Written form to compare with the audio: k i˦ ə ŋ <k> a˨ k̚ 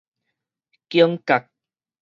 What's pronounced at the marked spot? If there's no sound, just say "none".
k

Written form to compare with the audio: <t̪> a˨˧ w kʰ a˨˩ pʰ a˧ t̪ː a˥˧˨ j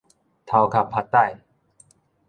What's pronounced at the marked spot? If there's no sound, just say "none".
t̪ʰ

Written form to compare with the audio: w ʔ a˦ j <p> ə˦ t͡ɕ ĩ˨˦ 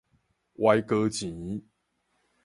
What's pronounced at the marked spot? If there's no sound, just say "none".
k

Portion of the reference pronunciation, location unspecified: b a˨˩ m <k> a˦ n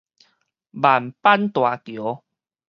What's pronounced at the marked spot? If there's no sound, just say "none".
p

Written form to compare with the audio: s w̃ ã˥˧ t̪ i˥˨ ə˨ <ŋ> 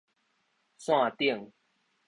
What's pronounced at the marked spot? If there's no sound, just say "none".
ŋ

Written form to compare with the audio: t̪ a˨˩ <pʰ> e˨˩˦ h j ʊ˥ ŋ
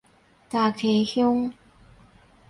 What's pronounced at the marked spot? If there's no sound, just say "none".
kʰ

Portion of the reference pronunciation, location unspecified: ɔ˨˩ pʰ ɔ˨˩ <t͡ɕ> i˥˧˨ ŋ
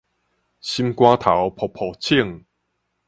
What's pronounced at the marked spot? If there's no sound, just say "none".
t͡ɕʰ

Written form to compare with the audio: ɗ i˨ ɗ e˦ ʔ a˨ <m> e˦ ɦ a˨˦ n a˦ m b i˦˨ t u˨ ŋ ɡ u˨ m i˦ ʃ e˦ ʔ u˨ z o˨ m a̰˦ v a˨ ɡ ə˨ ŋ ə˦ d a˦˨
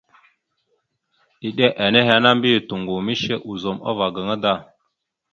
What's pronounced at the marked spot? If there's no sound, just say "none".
n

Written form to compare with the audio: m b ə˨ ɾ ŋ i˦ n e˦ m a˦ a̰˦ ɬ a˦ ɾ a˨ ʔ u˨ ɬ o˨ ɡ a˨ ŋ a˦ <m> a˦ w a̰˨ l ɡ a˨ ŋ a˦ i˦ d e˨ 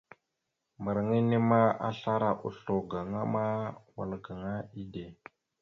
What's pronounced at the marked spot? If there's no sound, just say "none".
m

